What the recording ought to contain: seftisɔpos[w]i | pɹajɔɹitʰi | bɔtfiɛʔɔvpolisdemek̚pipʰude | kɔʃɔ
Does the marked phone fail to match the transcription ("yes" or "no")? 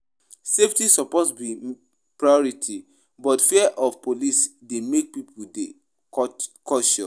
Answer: yes